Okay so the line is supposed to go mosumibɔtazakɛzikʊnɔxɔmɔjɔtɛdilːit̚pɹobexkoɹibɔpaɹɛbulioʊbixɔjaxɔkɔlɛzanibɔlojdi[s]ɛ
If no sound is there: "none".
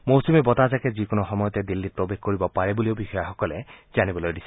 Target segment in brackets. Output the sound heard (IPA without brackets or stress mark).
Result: s